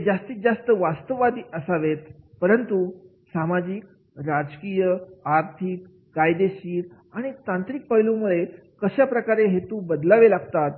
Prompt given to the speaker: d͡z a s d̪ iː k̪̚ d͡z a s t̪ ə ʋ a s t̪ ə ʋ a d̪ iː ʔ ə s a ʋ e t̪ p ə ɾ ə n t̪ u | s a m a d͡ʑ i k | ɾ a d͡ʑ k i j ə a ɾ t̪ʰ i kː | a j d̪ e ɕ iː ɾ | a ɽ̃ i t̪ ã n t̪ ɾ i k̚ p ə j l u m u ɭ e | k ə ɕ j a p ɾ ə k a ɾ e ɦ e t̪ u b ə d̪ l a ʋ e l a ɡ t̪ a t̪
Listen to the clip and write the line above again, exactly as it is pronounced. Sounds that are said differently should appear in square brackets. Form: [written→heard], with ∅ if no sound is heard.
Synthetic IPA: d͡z a s [d̪→t̪] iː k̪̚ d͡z a s t̪ ə ʋ a s t̪ ə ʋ a d̪ iː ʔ ə s a ʋ e t̪ p ə ɾ ə n t̪ u | s a m a d͡ʑ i k | ɾ a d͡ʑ k i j ə a ɾ t̪ʰ i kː | a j d̪ e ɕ iː ɾ | a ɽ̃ i t̪ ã n t̪ ɾ i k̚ p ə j l u m u ɭ e | k ə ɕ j a p ɾ ə k a ɾ e ɦ e t̪ u b ə d̪ l a ʋ e l a ɡ t̪ a t̪